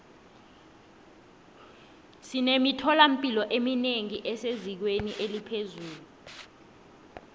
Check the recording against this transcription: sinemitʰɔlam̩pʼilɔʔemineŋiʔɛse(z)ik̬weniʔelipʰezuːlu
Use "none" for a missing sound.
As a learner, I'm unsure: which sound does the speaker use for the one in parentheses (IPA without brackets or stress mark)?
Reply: z